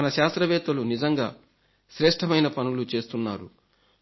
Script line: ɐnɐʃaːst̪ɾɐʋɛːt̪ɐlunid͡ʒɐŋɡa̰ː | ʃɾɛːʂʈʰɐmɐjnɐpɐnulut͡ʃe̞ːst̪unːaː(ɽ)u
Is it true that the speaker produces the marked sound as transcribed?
no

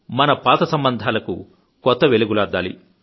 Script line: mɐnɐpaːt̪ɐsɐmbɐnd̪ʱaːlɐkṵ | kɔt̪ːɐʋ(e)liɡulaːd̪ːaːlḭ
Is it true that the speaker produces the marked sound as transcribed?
yes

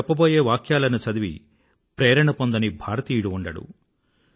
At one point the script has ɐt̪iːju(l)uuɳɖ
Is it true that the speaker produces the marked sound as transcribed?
no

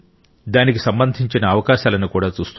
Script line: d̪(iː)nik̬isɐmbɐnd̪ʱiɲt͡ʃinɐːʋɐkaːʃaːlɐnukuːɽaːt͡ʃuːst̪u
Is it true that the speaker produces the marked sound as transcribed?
no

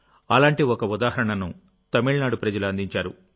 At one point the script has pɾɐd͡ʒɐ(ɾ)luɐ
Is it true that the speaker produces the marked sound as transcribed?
no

